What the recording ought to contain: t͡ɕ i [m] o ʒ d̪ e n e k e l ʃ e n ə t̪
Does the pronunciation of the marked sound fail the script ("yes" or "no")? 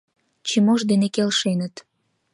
no